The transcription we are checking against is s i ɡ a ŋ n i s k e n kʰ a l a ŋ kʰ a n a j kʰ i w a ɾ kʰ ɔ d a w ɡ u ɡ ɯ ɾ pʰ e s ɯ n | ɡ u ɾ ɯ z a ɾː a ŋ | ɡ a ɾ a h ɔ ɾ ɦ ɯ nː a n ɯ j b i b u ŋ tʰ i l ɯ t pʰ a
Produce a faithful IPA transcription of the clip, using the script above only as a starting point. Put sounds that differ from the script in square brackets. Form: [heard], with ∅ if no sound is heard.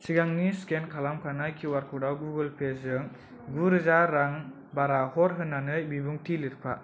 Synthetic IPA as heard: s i ɡ a ŋ n i s k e n kʰ a l a [m] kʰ a n a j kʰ i w a ɾ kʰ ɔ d a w ɡ u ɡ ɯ [l] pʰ e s ɯ [ŋ] | ɡ u ɾ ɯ z a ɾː a ŋ | [b] a ɾ a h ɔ ɾ ɦ ɯ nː a n ɯ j b i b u ŋ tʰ i l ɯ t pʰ a

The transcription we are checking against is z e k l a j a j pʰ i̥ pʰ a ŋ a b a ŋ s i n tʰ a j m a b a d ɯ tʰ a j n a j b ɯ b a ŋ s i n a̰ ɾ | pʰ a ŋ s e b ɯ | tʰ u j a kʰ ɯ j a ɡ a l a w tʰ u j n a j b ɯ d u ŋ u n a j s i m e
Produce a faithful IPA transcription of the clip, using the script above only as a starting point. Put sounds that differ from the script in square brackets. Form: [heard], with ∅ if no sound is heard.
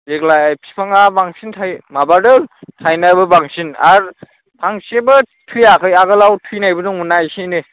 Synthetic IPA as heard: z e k l a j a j pʰ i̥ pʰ a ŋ a b a ŋ s i n tʰ a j m a b a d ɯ tʰ a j n a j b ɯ b a ŋ s i n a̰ ɾ | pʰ a ŋ s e b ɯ | tʰ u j a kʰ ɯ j a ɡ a l a w tʰ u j n a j b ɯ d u ŋ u n a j s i [n] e

